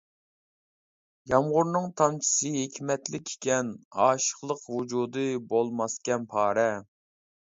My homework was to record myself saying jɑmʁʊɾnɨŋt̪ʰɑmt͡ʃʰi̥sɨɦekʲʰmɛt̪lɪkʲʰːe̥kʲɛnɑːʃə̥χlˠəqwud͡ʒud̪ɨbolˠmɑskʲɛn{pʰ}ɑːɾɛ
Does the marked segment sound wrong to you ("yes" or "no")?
no